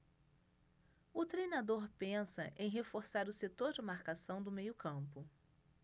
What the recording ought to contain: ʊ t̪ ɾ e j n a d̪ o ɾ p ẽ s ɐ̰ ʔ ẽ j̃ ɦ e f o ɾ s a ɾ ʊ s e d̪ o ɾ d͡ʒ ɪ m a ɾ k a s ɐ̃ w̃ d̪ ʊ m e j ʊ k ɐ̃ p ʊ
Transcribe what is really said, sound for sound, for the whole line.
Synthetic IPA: ʊ t̪ ɾ e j n a d̪ o ɾ p ẽ s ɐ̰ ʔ ẽ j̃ ɦ e f o ɾ s a ɾ ʊ s e t̪ o ɾ d͡ʒ ɪ m a ɾ k a s ɐ̃ w̃ d̪ ʊ m e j ʊ k ɐ̃ p ʊ